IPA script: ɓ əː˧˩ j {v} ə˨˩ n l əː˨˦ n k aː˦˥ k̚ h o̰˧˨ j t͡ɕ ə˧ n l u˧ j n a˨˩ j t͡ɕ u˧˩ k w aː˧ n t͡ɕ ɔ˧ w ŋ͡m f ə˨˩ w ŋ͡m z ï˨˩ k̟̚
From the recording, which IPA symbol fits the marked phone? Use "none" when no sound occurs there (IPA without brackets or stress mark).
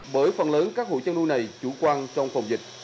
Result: f